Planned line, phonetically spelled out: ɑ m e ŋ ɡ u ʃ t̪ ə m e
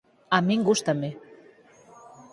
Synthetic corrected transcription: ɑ m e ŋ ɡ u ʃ t̪ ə m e